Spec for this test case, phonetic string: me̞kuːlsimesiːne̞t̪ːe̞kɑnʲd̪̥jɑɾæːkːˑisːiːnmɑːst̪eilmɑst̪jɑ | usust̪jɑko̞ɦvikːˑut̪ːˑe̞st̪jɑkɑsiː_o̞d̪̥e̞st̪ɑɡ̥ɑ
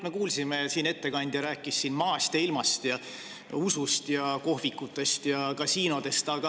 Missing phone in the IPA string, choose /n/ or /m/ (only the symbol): n